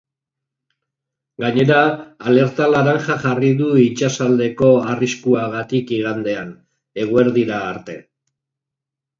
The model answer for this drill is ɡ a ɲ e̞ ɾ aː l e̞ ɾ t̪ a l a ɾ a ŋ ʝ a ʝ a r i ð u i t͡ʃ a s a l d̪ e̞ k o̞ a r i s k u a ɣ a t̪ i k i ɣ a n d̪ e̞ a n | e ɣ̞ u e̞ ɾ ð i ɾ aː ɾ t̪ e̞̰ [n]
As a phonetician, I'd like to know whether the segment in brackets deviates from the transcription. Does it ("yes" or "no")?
yes